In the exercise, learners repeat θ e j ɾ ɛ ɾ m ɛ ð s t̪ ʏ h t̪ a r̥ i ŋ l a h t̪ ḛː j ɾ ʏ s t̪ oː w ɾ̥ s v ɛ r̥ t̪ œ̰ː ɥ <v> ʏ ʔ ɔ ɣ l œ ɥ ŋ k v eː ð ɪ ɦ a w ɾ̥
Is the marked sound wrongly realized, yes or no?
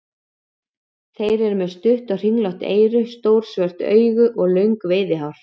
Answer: yes